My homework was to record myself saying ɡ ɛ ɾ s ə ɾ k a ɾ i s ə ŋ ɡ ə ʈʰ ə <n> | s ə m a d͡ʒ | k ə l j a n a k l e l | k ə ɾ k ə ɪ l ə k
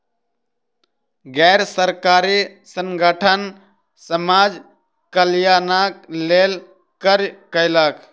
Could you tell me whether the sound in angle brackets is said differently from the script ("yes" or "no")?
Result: no